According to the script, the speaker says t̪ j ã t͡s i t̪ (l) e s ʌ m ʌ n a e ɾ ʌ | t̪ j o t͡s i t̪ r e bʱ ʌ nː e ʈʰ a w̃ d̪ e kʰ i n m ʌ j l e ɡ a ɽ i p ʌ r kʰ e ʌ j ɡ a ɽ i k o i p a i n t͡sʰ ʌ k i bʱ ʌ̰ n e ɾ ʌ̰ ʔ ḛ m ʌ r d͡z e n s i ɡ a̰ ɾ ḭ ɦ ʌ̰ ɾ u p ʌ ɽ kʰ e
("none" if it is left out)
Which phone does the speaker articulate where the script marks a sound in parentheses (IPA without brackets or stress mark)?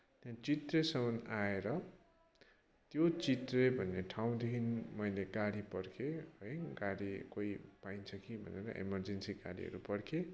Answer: r